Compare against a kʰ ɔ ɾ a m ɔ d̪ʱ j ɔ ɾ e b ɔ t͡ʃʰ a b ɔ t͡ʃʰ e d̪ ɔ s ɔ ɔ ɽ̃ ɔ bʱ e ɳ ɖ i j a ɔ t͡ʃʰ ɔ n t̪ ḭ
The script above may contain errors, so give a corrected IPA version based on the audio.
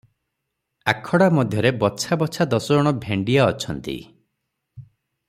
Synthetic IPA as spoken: a kʰ ɔ ɽ a m ɔ d̪ʱ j ɔ ɾ e b ɔ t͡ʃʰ a b ɔ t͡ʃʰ a d̪ ɔ s ɔ ɔ ɽ̃ ɔ bʱ e ɳ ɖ i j a ɔ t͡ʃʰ ɔ n t̪ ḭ